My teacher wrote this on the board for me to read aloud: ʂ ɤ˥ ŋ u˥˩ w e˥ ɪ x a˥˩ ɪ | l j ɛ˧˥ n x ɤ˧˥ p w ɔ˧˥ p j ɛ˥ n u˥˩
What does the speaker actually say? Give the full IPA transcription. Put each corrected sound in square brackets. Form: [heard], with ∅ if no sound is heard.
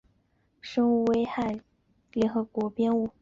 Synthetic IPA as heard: ʂ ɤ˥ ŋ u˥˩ w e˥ ɪ x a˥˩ ɪ | l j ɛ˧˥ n x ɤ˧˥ [k] w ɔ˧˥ p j ɛ˥ n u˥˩